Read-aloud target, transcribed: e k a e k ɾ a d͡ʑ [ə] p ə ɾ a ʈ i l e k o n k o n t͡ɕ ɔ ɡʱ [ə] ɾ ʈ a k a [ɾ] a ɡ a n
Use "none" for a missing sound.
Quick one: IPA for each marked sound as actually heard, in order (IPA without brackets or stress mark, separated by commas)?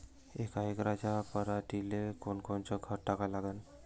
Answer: a, ə, l